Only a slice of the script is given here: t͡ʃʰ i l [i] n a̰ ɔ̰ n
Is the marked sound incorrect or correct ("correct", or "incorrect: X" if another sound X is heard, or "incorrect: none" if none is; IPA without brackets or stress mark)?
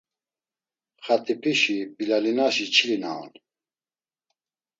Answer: correct